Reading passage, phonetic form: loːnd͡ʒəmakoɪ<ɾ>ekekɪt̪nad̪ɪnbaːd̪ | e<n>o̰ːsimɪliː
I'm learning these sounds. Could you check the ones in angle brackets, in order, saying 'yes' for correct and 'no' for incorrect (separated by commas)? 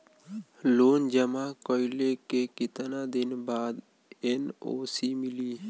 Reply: no, yes